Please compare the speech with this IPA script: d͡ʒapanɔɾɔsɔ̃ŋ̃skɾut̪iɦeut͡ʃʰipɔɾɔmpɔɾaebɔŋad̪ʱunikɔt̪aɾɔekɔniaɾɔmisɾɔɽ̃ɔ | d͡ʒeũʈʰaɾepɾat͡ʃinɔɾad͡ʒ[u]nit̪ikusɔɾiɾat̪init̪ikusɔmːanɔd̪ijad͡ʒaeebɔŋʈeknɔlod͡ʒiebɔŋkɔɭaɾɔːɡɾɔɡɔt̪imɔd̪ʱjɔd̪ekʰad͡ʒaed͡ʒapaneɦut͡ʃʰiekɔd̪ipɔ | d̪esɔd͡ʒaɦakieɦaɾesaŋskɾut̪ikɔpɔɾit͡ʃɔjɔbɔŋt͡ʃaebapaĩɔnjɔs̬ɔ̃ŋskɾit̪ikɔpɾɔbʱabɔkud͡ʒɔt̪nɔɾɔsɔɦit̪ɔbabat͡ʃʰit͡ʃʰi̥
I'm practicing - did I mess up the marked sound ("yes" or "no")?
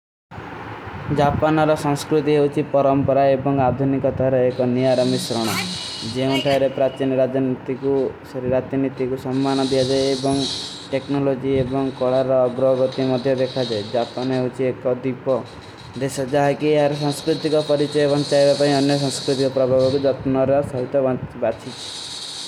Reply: yes